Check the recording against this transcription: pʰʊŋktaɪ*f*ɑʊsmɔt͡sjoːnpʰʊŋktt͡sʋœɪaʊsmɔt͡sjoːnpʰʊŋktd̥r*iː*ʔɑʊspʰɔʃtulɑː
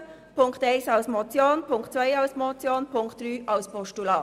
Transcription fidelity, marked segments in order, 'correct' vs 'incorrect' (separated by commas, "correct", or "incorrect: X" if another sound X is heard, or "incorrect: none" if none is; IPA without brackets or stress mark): incorrect: s, incorrect: yː